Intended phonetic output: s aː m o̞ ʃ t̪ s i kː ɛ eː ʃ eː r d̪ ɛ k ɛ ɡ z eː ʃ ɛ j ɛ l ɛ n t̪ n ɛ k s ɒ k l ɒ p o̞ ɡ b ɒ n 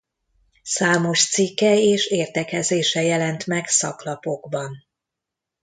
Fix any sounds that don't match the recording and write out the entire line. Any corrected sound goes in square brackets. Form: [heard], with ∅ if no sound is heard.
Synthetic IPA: s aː m o̞ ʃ t̪ s i kː ɛ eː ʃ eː r [t̪] ɛ k ɛ [∅] z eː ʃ ɛ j ɛ l ɛ n t̪ [m] ɛ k s ɒ k l ɒ p o̞ ɡ b ɒ n